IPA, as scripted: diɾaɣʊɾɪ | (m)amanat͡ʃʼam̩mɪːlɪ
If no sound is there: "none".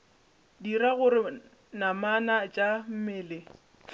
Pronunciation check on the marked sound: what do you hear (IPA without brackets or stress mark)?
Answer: n